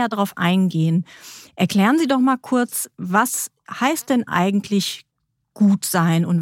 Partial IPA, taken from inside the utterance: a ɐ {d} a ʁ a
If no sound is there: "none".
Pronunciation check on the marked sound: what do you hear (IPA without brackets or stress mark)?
d